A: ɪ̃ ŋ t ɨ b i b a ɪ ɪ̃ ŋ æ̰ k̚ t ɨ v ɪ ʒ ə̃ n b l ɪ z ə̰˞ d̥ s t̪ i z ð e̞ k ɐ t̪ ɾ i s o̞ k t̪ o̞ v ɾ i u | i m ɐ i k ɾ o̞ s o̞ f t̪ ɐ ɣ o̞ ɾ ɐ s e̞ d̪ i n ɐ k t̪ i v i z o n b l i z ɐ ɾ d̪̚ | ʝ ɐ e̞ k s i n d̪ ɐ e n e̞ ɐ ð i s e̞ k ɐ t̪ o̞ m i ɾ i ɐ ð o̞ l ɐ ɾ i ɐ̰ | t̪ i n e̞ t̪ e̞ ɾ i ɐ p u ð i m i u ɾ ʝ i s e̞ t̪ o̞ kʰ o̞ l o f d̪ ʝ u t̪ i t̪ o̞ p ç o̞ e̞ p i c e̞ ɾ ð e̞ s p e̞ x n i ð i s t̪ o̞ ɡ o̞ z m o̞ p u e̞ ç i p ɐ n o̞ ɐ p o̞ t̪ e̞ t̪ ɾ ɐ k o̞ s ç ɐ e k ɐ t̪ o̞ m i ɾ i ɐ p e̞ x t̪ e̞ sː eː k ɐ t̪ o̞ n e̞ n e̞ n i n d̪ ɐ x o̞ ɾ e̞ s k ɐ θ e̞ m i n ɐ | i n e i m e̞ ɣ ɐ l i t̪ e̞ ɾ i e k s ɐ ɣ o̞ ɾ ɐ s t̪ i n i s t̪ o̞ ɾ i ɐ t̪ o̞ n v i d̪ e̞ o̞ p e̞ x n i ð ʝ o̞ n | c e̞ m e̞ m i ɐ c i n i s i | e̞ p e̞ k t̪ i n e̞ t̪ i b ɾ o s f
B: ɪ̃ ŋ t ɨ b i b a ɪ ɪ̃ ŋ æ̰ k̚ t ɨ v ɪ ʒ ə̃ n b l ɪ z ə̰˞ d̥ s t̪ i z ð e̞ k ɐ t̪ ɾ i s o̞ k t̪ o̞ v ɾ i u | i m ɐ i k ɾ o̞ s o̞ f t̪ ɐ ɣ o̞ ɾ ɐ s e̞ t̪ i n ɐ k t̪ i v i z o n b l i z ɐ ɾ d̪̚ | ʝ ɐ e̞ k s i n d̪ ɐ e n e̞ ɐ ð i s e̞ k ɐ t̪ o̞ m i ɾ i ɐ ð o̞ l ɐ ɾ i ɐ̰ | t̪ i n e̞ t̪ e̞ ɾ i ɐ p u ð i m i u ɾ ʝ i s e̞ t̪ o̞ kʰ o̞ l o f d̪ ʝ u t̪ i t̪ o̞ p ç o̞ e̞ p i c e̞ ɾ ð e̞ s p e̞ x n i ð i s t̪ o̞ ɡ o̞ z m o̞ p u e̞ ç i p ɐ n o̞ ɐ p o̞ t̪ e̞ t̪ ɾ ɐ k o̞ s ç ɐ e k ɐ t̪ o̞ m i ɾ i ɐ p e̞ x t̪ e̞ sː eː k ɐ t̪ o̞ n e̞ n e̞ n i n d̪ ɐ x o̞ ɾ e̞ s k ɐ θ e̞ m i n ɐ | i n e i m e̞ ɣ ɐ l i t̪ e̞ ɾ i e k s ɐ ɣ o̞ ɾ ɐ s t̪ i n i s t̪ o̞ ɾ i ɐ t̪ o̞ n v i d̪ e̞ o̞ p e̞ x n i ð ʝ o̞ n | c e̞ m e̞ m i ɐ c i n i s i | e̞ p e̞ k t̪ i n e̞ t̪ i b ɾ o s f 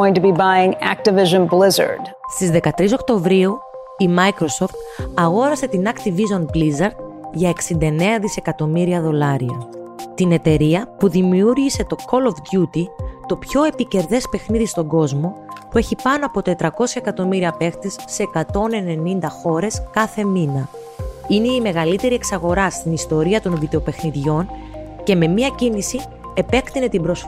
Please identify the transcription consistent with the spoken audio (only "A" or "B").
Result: B